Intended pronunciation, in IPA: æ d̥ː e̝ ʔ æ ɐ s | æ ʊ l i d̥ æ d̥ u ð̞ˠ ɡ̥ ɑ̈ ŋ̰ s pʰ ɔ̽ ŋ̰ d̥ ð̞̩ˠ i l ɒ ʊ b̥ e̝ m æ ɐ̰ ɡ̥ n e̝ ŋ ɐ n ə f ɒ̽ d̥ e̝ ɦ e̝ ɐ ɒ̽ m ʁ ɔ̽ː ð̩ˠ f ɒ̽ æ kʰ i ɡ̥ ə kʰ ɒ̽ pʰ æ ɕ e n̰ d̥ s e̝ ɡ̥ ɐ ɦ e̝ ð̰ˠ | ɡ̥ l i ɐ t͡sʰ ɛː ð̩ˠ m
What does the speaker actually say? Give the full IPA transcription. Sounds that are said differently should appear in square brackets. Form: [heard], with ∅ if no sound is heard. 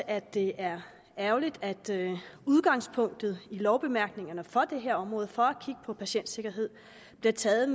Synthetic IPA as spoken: æ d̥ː e̝ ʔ æ ɐ [∅] | æ ʊ l i d̥ æ d̥ u ð̞ˠ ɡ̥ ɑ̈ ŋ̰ s pʰ ɔ̽ ŋ̰ d̥ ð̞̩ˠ i l ɒ ʊ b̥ e̝ m æ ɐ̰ ɡ̥ n e̝ ŋ ɐ n ə f ɒ̽ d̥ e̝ ɦ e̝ ɐ ɒ̽ m ʁ ɔ̽ː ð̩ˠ f ɒ̽ æ kʰ i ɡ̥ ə [pʰ] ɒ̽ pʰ æ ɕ e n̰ d̥ s e̝ ɡ̥ ɐ ɦ e̝ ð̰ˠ | [b̥] l i ɐ t͡sʰ ɛː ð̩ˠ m